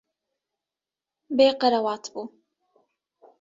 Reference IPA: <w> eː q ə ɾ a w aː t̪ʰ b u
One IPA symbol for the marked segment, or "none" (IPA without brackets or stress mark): b